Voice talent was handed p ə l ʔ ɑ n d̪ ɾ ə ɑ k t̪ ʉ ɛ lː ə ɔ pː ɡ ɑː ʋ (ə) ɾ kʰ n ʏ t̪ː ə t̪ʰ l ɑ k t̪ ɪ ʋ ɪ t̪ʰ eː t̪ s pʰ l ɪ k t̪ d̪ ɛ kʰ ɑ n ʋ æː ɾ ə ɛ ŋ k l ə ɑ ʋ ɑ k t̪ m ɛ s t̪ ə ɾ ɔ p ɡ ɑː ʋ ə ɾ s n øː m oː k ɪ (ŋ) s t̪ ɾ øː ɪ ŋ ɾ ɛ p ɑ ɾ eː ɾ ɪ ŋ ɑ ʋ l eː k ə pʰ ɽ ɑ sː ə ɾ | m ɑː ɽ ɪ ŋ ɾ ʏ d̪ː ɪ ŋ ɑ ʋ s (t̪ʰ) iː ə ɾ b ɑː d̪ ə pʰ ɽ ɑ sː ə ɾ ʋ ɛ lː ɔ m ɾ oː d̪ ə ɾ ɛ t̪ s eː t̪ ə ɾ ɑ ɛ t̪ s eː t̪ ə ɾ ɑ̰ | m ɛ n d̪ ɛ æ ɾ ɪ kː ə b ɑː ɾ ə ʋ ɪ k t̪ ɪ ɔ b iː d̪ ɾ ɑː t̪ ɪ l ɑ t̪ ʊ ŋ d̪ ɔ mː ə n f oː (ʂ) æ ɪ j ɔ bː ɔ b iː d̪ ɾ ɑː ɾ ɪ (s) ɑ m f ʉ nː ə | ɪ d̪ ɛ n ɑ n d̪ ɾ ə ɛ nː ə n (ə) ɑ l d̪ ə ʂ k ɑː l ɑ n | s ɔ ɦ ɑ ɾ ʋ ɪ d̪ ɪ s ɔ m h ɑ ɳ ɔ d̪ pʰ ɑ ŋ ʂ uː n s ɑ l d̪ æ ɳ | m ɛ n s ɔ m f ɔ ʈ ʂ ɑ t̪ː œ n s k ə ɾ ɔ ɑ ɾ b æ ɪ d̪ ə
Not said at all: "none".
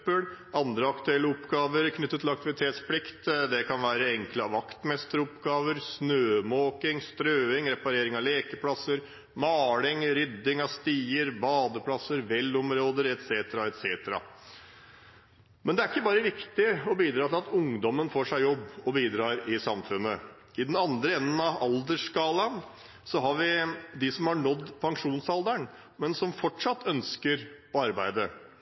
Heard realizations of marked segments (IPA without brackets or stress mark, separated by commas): ə, ŋ, t̪, ʂ, s, ɑ